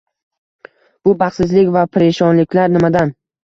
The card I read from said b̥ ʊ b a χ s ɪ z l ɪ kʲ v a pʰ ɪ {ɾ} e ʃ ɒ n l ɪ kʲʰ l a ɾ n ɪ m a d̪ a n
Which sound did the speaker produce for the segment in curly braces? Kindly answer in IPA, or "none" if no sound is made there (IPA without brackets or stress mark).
ɾ